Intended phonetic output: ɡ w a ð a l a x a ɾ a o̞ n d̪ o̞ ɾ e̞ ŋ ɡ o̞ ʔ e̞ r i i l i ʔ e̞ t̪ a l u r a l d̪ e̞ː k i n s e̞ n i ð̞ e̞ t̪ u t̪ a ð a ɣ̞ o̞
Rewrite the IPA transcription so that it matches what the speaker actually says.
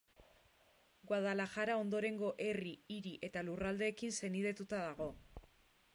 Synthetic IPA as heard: ɡ w a ð a l a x a ɾ a o̞ n d̪ o̞ ɾ e̞ ŋ ɡ o̞ ʔ e̞ r i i ɾ i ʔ e̞ t̪ a l u r a l d̪ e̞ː k i n s e̞ n i ð̞ e̞ t̪ u t̪ a ð a ɣ̞ o̞